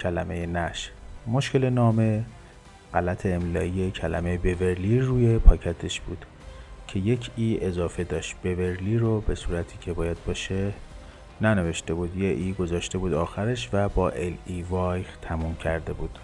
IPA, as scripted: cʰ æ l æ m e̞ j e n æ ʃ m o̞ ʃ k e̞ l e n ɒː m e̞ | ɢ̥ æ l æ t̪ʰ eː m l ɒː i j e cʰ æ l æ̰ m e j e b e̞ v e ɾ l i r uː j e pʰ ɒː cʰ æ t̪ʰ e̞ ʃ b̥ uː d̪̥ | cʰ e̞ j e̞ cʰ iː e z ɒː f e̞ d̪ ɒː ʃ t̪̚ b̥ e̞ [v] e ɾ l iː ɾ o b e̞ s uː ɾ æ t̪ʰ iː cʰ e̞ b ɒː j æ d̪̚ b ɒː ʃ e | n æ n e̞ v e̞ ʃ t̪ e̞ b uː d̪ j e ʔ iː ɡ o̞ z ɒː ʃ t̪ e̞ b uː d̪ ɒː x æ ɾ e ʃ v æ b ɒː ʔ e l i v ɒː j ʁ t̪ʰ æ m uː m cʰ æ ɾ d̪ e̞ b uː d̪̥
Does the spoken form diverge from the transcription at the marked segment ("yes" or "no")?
no